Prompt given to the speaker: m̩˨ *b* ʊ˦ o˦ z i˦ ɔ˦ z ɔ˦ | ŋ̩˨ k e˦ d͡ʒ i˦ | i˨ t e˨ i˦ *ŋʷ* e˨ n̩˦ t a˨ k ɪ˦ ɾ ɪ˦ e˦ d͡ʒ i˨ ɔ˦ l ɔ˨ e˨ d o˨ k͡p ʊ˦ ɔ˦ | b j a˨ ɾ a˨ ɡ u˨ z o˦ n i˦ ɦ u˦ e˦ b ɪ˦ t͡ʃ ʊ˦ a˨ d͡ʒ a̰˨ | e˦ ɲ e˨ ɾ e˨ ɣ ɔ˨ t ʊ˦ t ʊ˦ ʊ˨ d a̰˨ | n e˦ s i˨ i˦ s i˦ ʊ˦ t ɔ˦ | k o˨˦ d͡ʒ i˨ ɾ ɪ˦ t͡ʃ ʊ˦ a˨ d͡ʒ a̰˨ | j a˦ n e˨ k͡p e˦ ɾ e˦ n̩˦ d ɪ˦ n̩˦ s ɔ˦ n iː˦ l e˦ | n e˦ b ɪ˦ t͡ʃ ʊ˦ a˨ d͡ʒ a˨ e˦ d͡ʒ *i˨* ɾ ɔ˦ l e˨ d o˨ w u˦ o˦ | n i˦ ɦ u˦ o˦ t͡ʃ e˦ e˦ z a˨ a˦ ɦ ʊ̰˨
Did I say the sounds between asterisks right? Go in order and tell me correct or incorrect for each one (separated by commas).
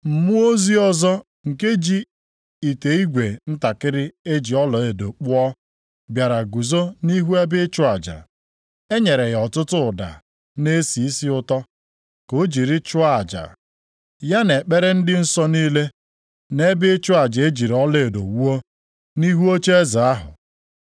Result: incorrect, incorrect, correct